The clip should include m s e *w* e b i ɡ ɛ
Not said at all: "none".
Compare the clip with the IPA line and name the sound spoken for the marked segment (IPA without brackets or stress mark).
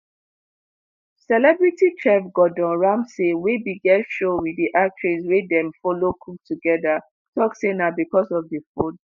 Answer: w